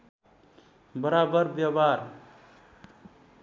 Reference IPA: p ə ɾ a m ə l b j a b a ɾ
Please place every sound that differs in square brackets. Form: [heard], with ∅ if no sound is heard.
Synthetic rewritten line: [b] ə ɾ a [b] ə [ɾ] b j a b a ɾ